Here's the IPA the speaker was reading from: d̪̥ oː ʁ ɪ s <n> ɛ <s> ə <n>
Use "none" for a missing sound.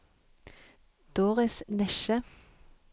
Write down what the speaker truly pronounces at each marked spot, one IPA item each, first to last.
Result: n, ʃ, none

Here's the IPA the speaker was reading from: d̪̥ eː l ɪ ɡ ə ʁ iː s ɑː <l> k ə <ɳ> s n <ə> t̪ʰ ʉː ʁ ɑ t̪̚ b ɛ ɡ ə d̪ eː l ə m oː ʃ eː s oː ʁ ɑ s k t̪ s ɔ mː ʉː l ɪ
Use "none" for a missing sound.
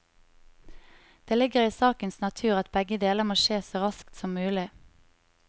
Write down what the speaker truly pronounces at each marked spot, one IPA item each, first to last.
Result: none, n, ɑ

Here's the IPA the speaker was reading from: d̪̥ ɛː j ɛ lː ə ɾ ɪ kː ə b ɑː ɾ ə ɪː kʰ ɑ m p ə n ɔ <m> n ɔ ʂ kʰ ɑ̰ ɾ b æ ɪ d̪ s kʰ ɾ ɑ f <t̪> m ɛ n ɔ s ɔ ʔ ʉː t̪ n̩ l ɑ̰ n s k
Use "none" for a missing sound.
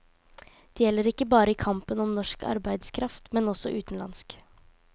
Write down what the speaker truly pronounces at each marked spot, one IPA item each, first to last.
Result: m, t̪

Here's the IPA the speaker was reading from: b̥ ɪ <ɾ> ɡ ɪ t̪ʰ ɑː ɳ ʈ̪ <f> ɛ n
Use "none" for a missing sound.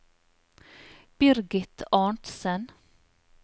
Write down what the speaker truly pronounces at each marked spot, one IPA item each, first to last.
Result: ɾ, s

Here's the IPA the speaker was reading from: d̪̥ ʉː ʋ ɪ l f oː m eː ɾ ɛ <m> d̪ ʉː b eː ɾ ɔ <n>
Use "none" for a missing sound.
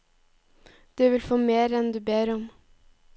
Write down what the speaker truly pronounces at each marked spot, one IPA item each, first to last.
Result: n, m

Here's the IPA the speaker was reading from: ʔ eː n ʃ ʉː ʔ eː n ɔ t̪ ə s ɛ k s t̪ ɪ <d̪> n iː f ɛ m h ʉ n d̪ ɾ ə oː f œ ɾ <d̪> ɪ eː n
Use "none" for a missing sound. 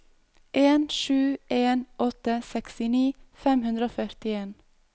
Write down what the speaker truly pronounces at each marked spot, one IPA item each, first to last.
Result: none, t̪

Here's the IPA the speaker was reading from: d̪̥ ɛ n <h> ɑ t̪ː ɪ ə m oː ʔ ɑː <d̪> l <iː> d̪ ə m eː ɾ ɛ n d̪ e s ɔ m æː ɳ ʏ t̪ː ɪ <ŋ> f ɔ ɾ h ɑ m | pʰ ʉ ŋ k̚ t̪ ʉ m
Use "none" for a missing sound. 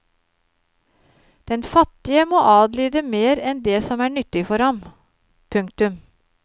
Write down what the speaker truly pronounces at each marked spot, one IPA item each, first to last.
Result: f, d̪, yː, none

